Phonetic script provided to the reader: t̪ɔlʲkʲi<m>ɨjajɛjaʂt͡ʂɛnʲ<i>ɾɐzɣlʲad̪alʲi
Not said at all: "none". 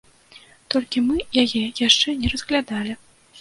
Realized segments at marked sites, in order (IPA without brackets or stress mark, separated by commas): m, ɛ